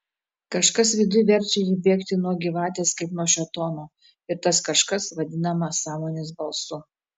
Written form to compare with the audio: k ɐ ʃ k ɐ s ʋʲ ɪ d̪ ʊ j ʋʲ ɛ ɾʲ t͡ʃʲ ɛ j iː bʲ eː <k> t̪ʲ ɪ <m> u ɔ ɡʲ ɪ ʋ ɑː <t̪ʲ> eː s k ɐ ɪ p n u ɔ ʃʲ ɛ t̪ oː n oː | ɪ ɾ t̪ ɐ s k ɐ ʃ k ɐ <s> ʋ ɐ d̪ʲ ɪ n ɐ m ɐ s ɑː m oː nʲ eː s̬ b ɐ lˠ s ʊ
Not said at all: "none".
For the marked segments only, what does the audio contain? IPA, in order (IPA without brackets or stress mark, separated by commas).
k, n, t̪ʲ, s